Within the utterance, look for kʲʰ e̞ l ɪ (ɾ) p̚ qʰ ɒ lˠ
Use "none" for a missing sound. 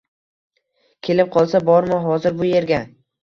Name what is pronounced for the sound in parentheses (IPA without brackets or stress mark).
none